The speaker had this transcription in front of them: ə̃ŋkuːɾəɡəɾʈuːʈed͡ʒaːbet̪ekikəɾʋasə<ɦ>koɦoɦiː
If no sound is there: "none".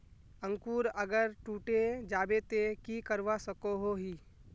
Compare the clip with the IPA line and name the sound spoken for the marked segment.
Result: none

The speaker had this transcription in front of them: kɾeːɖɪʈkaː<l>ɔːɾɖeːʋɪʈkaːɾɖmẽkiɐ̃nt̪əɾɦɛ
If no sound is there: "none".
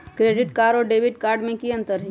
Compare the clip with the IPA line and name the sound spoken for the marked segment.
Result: ɾ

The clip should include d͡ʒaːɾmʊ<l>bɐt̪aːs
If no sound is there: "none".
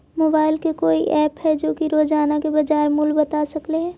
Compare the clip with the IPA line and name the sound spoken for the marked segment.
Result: l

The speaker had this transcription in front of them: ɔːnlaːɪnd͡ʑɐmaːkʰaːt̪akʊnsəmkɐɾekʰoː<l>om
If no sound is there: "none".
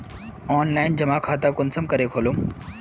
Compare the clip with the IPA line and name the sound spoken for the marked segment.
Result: l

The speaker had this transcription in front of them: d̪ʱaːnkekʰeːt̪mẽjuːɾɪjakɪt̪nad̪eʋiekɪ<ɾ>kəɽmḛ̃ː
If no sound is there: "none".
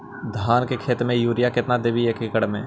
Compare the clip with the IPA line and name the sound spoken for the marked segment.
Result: none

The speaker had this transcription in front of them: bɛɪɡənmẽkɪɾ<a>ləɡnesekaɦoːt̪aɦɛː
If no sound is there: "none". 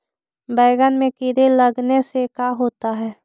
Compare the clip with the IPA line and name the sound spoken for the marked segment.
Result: e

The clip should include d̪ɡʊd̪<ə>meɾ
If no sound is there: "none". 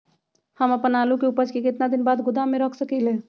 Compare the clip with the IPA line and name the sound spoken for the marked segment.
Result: a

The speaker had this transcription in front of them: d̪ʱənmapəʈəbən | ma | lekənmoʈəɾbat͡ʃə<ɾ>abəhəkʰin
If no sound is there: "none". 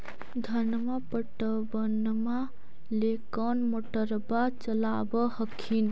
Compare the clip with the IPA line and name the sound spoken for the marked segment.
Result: l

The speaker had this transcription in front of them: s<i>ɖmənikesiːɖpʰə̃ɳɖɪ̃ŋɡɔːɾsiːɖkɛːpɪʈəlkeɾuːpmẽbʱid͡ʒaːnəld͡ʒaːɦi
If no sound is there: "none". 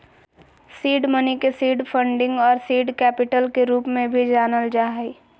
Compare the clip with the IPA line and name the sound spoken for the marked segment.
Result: iː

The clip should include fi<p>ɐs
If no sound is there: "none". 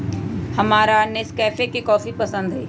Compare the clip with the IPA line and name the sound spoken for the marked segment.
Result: p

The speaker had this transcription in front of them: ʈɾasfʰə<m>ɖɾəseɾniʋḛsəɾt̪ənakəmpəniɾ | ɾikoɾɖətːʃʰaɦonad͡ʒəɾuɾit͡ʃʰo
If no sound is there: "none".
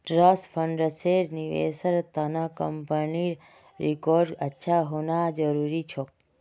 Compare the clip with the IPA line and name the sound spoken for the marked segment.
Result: ɳ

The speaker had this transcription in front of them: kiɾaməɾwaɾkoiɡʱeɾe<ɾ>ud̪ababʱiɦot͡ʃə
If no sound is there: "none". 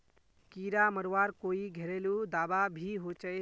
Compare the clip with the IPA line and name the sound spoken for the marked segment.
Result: l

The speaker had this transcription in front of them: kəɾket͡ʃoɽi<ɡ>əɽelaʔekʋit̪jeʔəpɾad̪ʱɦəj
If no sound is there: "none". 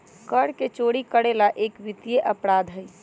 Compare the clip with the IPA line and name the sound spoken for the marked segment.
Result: k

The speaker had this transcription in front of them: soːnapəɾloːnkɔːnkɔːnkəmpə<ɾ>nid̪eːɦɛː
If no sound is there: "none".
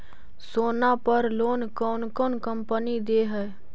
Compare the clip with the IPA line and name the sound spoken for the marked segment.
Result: none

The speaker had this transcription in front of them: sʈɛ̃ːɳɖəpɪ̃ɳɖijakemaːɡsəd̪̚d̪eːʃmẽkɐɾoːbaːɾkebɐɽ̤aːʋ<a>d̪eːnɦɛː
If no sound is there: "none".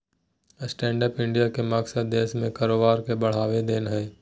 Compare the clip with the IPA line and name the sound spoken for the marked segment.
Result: e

